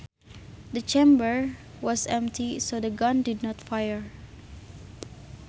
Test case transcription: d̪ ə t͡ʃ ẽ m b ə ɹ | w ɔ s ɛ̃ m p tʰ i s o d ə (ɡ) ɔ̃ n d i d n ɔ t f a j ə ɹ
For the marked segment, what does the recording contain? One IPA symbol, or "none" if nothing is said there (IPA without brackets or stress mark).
ɡ